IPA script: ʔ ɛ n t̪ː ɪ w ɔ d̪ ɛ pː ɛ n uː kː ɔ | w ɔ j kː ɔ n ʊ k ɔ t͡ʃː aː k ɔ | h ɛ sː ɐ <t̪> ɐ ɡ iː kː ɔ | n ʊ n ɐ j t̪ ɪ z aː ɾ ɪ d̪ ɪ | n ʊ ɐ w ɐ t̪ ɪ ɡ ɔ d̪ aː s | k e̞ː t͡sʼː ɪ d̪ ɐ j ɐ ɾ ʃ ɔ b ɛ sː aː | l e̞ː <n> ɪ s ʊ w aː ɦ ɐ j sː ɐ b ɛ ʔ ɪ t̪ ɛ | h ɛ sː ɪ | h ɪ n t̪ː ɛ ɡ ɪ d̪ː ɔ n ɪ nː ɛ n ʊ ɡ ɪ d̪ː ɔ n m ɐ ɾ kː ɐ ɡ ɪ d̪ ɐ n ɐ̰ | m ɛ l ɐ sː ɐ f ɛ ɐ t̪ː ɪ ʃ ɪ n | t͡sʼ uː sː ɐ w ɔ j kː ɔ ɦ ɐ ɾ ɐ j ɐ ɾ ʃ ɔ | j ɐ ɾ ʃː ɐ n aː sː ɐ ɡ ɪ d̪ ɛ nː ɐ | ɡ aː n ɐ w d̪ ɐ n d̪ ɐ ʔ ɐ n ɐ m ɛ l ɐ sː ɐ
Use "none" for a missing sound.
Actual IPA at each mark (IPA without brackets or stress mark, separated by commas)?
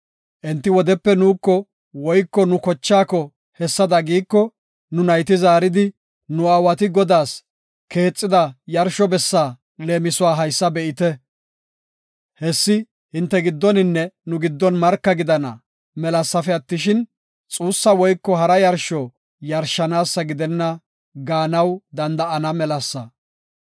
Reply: d̪, m